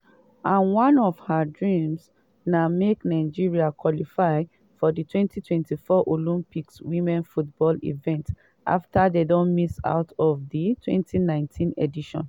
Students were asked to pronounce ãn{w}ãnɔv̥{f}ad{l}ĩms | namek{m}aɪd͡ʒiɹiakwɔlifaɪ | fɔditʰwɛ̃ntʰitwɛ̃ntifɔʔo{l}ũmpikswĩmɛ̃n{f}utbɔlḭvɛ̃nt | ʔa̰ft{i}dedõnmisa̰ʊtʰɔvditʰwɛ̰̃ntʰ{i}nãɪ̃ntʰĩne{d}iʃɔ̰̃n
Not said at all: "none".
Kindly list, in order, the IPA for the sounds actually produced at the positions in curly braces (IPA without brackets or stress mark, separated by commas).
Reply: w, h, ɹ, n, l, f, a, i, d